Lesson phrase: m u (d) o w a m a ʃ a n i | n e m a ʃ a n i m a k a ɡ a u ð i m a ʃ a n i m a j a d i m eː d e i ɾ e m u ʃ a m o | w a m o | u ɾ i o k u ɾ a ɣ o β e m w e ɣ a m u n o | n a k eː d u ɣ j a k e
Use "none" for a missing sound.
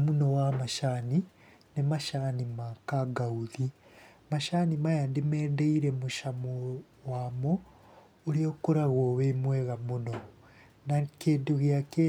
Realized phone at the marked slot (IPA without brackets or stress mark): n